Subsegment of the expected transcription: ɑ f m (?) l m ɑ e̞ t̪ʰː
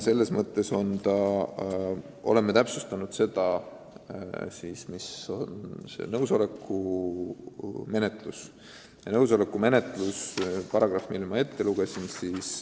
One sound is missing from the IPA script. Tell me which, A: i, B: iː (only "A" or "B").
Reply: A